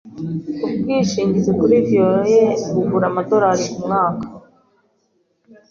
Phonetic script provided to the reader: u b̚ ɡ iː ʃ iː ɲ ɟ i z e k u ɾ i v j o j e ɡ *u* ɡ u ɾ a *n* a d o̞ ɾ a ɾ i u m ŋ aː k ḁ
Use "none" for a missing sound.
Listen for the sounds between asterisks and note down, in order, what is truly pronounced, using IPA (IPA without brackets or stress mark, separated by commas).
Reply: u, m